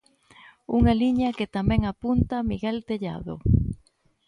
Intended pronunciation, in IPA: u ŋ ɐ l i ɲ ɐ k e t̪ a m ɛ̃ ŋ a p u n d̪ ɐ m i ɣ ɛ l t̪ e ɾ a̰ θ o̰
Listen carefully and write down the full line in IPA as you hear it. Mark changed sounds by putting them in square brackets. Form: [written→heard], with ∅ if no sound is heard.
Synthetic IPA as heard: u ŋ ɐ l i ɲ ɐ k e t̪ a m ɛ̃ ŋ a p u n [d̪→t̪] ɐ m i ɣ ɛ l t̪ e [ɾ→ʎ] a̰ [θ→ð] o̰